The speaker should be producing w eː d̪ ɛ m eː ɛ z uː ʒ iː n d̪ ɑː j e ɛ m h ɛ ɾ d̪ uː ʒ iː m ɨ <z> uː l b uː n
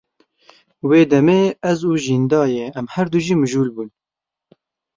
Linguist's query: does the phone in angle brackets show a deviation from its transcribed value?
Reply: yes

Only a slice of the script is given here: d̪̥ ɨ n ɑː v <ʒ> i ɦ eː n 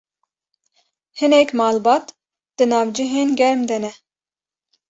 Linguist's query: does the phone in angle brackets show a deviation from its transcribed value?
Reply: yes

